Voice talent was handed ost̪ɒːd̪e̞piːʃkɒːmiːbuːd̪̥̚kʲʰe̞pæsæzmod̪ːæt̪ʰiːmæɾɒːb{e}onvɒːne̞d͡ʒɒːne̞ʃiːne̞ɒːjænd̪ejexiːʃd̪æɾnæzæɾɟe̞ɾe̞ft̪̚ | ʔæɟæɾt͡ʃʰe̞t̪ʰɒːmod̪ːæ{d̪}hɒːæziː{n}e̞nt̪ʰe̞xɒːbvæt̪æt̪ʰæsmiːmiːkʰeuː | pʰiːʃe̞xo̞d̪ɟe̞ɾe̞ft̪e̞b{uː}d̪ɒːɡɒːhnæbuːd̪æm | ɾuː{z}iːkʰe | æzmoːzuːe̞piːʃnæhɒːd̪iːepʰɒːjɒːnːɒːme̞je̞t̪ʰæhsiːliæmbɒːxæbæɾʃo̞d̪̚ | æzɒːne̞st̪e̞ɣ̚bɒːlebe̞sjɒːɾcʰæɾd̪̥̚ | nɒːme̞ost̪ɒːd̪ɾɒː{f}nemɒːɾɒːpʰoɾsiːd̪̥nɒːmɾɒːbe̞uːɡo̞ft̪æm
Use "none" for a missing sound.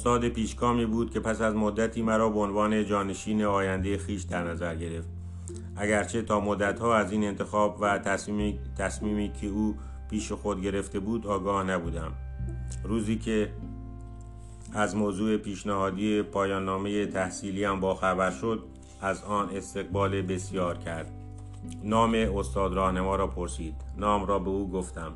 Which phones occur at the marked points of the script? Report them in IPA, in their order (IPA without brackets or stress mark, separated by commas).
e, t̪, n, uː, z, h